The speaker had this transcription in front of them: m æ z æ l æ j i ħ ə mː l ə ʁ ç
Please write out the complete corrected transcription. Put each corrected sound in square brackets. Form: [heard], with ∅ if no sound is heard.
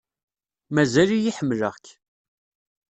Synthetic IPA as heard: m æ z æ l [i] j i ħ ə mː l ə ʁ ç